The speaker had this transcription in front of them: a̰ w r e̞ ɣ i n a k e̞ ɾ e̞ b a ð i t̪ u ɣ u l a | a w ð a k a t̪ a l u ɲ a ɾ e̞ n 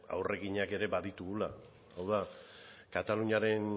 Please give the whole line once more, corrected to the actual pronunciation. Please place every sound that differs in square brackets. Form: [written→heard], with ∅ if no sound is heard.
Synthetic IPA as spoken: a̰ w r e̞ ɣ i [n→ɲ] a k e̞ ɾ e̞ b a ð i t̪ u ɣ u l a | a w ð a k a t̪ a l u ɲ a ɾ e̞ n